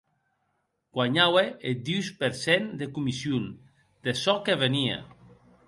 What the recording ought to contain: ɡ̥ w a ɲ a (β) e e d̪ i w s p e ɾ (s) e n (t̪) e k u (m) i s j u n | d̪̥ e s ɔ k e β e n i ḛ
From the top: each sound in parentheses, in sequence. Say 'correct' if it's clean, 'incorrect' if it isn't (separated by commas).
incorrect, correct, incorrect, correct